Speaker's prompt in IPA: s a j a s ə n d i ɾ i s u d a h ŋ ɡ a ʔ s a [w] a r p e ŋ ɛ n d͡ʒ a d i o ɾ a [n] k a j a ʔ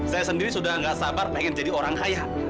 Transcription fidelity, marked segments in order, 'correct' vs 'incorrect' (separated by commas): incorrect, incorrect